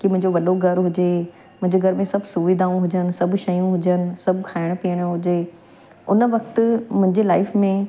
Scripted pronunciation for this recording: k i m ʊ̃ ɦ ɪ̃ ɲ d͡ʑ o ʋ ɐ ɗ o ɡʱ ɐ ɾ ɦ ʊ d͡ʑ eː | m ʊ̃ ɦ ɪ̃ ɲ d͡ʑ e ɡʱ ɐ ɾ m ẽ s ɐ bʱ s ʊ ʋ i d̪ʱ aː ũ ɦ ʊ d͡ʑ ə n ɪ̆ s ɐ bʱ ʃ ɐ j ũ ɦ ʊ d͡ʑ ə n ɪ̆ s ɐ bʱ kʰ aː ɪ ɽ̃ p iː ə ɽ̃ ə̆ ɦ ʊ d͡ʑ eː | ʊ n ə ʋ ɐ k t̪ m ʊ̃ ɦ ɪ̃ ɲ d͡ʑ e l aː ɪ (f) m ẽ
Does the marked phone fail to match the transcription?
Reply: no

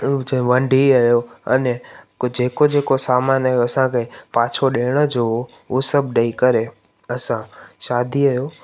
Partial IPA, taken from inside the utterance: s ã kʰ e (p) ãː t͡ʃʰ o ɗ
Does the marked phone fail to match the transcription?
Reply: no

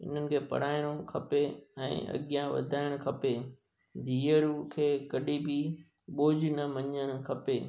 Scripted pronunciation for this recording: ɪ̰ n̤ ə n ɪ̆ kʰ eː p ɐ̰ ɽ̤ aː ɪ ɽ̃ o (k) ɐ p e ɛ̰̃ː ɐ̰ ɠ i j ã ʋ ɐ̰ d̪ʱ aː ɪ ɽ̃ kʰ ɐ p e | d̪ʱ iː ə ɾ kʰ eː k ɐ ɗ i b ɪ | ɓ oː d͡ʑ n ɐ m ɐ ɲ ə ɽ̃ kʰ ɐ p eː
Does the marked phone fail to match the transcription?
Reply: yes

